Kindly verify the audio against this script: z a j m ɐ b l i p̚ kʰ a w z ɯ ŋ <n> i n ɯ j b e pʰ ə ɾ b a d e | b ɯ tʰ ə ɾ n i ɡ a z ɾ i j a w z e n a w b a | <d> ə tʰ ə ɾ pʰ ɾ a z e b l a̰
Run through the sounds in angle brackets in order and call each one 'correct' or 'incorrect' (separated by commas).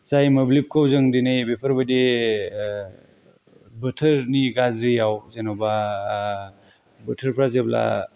incorrect, incorrect